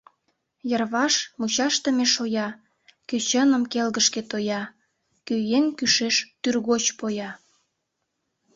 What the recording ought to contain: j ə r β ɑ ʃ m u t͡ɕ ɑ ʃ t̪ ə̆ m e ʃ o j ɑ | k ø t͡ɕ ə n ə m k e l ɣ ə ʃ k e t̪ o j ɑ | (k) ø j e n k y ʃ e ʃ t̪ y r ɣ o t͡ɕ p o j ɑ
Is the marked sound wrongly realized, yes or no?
no